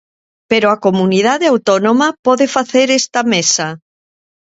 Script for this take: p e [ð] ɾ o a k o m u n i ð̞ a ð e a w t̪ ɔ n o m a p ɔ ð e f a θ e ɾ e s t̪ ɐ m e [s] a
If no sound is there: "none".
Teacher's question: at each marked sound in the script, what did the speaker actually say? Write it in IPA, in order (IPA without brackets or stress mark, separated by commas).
none, s